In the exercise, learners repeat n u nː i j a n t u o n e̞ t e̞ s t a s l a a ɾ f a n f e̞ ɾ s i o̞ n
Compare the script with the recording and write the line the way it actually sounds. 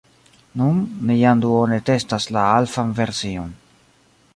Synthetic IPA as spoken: n u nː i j a n d u o n e̞ t e̞ s t a s l a a l f a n v e̞ ɾ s i o̞ n